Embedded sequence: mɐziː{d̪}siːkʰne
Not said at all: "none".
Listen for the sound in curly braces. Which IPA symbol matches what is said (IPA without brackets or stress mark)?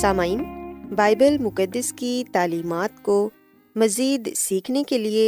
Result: d̪